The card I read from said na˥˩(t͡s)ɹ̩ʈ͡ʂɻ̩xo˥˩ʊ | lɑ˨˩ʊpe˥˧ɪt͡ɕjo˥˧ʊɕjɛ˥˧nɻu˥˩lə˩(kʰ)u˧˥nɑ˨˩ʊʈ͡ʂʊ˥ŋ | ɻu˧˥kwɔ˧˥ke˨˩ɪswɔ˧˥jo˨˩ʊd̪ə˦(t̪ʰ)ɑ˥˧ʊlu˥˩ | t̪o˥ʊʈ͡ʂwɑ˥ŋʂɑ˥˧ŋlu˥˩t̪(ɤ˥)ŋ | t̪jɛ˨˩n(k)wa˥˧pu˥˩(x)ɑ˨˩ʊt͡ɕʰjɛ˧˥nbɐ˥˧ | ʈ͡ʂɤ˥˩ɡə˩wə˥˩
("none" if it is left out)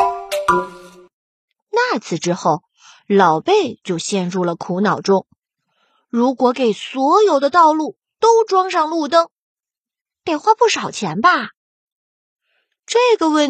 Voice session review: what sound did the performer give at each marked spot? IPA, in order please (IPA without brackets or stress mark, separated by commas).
t͡sʰ, kʰ, t̪, ɤ˥, x, ʂ